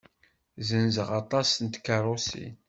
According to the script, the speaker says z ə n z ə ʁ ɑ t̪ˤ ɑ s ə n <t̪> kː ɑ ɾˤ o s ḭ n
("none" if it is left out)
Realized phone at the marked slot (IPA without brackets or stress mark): t̪